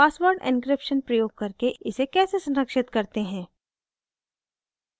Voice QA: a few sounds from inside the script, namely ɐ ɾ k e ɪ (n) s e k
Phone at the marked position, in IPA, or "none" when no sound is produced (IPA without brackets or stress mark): none